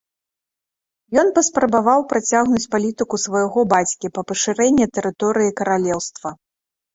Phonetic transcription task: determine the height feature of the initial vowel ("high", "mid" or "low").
mid